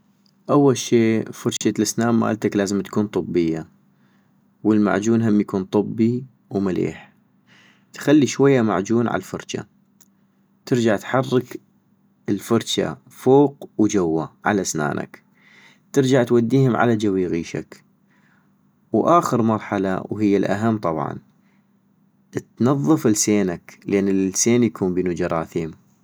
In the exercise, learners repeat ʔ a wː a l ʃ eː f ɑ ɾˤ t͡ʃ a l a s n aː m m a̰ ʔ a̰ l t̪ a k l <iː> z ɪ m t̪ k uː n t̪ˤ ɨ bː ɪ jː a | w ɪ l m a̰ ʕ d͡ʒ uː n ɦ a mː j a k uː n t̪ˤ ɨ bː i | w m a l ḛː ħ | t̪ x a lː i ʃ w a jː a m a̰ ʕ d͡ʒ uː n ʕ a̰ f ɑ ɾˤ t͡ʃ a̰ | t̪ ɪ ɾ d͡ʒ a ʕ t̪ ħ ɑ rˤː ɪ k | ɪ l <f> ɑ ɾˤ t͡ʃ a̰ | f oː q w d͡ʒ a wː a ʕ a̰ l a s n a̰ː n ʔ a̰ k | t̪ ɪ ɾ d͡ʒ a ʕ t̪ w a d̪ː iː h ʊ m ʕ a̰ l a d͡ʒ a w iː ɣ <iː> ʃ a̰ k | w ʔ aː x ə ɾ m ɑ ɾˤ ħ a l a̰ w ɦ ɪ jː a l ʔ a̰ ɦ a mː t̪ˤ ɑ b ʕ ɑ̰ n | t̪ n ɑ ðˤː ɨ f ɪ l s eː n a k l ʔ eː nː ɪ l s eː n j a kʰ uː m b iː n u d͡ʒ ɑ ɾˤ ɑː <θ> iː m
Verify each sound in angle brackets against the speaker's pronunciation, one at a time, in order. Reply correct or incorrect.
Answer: incorrect: aː, correct, correct, correct

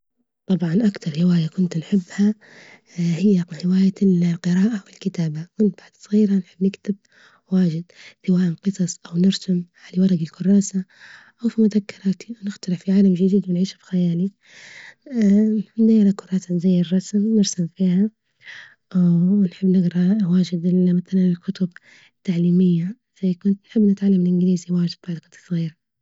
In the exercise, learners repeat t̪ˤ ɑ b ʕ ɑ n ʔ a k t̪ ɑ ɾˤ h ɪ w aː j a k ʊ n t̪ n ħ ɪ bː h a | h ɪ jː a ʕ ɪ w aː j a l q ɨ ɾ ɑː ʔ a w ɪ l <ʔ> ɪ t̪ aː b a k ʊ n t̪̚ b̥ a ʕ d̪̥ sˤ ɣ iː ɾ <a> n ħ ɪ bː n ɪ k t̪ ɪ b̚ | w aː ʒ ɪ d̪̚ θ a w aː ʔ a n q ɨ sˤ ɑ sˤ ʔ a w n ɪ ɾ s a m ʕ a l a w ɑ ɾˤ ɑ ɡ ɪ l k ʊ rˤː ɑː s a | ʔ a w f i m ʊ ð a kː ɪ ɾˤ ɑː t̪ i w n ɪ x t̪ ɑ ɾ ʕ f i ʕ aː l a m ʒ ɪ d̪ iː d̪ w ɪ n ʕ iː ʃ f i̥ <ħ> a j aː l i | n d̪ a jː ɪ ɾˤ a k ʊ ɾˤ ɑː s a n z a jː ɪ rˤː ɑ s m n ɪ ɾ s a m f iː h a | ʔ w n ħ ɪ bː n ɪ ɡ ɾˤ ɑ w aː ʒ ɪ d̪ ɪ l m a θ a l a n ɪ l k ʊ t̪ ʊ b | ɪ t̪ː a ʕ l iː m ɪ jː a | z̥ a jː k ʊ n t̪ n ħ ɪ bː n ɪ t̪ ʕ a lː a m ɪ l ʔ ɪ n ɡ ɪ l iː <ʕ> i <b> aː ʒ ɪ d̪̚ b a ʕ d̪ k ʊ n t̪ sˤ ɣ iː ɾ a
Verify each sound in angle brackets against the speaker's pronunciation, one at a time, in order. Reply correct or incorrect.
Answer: incorrect: k, correct, incorrect: x, incorrect: z, incorrect: w

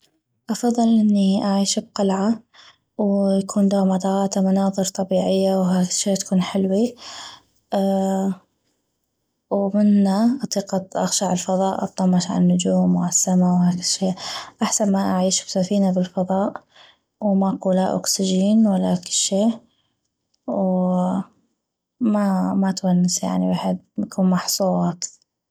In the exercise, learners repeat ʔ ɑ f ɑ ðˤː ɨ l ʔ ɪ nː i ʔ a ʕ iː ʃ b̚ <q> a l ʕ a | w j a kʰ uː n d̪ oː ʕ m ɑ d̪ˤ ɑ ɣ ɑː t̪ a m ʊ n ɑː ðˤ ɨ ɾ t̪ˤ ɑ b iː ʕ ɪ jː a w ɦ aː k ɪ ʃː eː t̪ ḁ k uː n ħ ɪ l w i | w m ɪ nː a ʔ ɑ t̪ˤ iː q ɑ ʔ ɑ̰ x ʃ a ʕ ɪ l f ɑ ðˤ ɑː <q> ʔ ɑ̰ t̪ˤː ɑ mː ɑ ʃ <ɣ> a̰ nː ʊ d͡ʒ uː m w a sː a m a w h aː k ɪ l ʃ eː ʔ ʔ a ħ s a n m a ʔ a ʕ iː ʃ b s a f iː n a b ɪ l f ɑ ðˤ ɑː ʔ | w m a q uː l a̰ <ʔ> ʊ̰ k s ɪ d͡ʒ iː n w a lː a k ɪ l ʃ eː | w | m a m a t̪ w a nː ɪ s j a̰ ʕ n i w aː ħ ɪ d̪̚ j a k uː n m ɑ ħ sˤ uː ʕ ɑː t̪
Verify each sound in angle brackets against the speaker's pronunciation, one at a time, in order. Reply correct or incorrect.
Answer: correct, incorrect: ʔ, incorrect: ʕ, correct

